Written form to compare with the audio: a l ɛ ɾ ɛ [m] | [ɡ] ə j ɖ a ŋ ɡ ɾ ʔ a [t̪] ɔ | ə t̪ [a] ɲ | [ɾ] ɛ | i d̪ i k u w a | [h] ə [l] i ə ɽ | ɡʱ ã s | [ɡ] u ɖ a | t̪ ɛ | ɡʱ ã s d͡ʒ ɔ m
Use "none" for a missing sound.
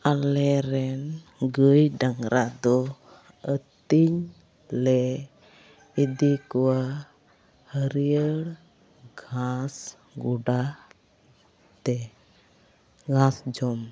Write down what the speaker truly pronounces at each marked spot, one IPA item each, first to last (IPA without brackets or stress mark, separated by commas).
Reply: n, ɡ, d̪, i, l, h, ɾ, ɡ